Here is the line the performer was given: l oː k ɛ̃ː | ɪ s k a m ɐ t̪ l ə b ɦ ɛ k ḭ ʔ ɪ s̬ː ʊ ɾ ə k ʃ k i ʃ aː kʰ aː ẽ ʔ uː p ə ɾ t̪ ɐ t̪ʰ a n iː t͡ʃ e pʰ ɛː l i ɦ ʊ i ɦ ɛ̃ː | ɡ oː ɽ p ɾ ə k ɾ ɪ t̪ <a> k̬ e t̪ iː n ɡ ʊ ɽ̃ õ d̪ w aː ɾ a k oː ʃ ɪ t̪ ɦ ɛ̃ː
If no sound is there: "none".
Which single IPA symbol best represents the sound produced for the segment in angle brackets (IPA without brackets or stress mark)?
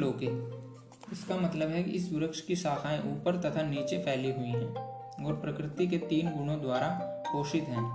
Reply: i